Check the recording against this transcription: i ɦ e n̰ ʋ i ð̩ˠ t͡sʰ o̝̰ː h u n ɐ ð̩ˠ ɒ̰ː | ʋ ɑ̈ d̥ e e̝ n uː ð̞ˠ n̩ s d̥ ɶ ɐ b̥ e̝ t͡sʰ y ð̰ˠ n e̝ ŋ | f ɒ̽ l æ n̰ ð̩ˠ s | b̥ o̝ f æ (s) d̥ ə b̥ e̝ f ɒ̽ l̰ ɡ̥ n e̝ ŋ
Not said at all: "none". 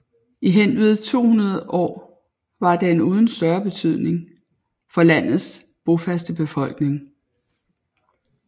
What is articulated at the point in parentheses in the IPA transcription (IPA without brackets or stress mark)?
s